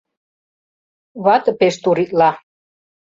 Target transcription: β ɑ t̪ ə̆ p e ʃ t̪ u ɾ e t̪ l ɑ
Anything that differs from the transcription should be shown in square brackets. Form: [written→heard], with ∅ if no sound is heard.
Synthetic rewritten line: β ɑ t̪ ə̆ p e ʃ t̪ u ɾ [e→i] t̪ l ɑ